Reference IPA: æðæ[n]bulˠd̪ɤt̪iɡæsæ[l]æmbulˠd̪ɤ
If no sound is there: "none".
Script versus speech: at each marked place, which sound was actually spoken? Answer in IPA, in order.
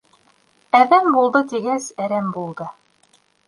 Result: m, ɾ

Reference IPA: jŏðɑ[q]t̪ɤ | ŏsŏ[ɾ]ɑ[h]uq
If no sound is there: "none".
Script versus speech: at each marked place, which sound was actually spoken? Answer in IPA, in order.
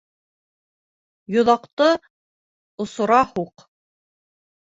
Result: q, ɾ, h

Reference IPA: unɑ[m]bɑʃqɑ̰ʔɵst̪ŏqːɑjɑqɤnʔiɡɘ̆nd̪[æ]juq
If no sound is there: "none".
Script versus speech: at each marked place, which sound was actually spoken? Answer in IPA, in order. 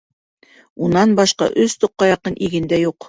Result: n, æ

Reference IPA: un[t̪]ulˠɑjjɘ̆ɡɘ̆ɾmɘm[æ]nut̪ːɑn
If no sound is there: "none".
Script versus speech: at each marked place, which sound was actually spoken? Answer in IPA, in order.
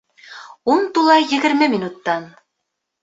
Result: t̪, i

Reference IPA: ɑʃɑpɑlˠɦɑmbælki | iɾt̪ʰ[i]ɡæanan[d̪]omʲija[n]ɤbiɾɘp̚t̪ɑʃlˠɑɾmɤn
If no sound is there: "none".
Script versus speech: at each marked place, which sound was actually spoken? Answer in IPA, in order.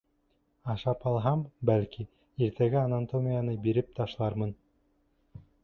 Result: æ, t̪, n

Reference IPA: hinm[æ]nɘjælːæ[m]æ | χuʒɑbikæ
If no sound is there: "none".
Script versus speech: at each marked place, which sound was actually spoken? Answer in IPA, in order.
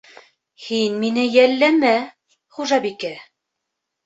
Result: i, m

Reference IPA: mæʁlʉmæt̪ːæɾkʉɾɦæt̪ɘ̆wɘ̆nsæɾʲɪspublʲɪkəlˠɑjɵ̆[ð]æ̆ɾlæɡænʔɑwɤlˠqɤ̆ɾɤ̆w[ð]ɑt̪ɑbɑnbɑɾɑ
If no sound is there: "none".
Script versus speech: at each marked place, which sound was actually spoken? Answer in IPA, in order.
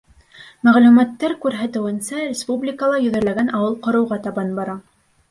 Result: ð, ʁ

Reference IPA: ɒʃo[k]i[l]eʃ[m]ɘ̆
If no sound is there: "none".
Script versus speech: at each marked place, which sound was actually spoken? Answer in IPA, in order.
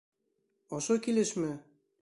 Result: k, l, m

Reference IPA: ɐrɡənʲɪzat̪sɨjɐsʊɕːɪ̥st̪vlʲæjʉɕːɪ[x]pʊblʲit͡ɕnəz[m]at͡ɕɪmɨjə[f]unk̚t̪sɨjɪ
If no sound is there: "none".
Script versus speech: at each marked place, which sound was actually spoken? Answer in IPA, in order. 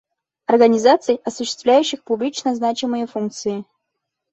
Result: x, n, f

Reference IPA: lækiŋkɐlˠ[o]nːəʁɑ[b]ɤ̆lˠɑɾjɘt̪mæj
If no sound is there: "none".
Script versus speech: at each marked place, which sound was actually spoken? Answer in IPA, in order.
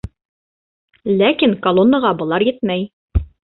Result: o, b

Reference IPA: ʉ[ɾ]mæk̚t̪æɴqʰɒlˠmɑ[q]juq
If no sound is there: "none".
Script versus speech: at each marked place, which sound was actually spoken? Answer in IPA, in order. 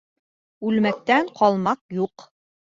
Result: l, q

